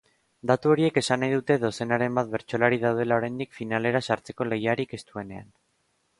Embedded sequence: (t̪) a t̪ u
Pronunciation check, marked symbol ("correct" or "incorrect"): incorrect